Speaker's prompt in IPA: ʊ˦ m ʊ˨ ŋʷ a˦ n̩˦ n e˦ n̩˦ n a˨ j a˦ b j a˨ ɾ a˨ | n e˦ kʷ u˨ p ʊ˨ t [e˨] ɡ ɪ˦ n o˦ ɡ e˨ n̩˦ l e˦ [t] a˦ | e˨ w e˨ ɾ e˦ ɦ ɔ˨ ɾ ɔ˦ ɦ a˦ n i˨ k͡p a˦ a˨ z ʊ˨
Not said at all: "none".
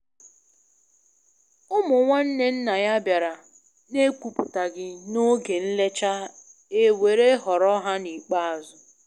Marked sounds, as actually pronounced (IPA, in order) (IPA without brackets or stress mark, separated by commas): a˨, t͡ʃ